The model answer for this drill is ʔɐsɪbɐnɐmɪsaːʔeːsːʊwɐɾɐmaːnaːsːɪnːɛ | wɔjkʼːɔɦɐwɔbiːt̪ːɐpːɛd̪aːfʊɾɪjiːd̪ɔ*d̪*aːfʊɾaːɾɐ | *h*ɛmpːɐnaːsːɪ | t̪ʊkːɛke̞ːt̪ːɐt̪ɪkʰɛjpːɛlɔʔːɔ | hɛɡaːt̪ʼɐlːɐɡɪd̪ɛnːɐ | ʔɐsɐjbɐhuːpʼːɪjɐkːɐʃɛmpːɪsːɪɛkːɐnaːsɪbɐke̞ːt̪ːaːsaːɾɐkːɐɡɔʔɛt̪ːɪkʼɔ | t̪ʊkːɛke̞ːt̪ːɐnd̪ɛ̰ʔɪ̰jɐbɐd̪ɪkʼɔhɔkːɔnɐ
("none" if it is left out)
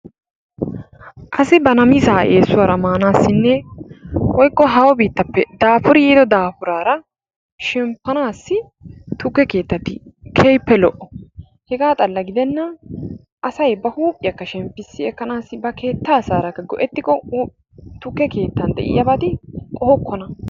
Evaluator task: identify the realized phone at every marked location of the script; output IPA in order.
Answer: d̪, ʃ

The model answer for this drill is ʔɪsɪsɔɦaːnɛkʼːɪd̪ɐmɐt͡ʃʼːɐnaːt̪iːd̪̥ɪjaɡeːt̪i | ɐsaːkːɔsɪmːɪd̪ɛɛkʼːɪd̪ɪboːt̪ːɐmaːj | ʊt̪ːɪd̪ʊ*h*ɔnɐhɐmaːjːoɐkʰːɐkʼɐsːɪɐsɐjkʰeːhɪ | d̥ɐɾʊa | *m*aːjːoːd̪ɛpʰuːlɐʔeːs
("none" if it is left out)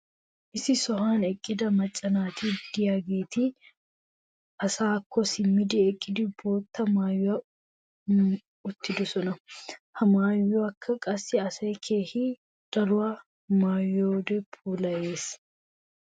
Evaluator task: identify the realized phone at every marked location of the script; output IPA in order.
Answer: s, m

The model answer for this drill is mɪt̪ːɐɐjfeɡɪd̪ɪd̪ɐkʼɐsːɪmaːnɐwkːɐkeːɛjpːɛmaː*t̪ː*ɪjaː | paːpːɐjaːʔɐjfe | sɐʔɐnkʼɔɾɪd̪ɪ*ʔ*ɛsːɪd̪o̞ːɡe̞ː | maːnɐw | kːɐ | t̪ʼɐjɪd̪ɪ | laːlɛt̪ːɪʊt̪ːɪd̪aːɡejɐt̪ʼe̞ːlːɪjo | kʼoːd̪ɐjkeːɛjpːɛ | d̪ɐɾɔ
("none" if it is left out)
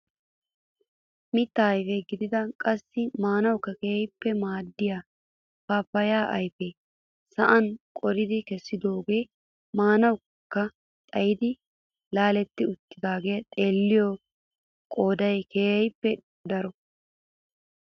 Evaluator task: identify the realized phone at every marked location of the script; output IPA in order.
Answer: d̪ː, k

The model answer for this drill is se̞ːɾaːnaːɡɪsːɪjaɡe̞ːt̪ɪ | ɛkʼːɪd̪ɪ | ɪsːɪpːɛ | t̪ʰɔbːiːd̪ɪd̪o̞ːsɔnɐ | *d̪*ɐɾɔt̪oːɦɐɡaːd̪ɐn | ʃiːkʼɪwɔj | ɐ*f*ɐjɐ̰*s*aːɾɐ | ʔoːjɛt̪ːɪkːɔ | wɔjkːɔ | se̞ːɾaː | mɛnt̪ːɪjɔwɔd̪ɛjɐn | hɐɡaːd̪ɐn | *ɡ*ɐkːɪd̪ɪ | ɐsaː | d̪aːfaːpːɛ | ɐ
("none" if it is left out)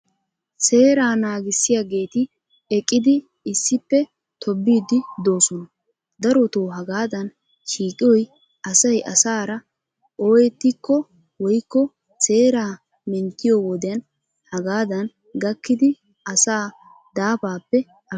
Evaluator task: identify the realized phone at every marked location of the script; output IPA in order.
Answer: d̪, s, s, ɡ

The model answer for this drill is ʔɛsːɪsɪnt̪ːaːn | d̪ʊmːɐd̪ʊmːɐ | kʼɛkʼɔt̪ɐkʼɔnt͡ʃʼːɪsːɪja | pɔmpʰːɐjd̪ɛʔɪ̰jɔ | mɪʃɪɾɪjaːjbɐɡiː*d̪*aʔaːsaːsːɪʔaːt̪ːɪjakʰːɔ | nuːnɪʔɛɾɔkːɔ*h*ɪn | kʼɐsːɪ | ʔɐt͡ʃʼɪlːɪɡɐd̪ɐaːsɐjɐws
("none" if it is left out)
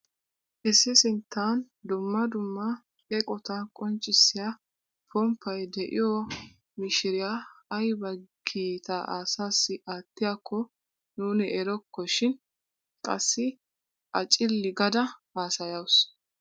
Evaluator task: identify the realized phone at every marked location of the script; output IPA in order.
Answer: t̪, ʃ

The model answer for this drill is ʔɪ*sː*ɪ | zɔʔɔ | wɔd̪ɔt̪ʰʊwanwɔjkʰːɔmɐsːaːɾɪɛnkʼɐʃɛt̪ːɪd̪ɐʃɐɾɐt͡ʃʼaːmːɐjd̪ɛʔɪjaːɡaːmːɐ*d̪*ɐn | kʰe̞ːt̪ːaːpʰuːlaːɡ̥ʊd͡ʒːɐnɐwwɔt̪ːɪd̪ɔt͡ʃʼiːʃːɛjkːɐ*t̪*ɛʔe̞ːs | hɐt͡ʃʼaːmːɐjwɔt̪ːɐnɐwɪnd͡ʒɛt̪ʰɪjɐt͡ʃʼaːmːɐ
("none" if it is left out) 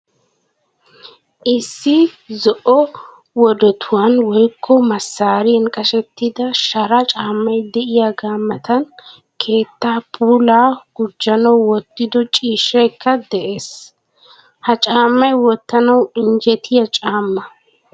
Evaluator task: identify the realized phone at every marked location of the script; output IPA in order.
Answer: sː, t̪, d̪

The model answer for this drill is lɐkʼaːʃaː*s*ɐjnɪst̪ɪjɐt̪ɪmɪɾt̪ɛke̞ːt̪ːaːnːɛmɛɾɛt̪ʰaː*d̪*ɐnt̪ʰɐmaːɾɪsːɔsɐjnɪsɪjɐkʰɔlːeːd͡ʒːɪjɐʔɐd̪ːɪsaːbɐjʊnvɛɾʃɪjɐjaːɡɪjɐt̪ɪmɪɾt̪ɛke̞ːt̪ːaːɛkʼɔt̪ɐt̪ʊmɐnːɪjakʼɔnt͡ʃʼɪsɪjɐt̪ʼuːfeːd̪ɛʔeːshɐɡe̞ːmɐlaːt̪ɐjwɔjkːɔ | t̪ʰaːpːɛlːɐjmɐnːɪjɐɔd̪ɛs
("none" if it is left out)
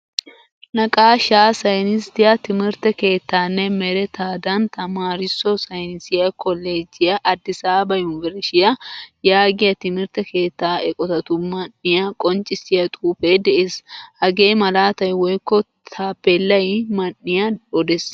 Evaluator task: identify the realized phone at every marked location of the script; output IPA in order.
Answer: s, d̪

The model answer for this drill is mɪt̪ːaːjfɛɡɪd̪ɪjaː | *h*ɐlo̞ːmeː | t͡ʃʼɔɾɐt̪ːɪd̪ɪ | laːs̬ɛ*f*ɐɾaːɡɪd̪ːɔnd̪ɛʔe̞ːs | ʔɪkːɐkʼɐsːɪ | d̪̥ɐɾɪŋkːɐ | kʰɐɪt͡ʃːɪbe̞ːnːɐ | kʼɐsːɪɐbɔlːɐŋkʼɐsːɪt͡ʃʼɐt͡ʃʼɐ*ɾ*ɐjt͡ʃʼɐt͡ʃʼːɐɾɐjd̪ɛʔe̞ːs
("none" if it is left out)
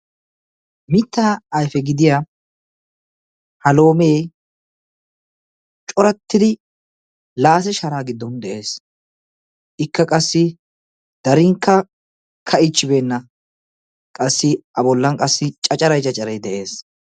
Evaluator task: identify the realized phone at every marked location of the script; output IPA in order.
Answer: h, ʃ, ɾ

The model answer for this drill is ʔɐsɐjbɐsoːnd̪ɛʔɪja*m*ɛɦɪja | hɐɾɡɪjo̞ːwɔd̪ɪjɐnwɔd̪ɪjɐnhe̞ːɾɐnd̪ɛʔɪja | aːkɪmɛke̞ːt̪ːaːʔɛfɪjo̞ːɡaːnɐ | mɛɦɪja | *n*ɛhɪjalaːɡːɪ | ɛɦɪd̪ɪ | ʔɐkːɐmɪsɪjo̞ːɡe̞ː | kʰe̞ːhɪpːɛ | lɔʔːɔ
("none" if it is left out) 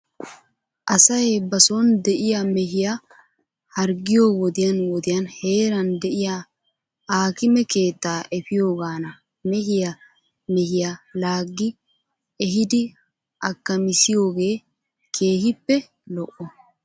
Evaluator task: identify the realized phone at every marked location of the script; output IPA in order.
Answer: m, m

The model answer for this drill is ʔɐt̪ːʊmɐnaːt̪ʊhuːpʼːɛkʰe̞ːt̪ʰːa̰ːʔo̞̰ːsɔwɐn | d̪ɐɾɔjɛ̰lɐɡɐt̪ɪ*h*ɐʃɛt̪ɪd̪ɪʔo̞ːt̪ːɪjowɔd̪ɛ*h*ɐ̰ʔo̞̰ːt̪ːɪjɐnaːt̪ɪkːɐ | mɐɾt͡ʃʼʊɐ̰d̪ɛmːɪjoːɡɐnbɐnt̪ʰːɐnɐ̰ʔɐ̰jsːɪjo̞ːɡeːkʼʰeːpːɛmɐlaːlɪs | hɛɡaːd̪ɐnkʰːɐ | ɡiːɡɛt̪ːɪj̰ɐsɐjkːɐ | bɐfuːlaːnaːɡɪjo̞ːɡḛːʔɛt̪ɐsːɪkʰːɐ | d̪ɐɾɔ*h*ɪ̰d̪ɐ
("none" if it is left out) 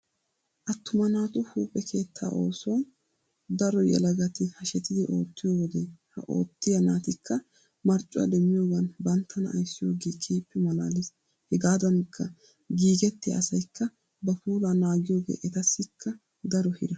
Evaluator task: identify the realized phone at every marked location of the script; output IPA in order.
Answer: h, h, h

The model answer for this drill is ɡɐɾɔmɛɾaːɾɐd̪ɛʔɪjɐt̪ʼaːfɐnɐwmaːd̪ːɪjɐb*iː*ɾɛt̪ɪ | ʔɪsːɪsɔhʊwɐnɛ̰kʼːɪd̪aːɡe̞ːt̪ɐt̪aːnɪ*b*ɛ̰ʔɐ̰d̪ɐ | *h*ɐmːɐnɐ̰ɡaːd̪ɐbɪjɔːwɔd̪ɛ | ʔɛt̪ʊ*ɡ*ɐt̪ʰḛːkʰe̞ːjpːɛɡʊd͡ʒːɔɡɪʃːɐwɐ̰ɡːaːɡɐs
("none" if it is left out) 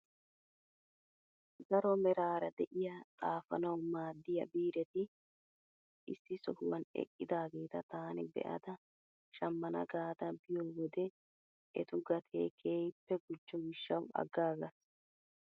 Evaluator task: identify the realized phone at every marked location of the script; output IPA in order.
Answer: iː, b, ʃ, ɡ

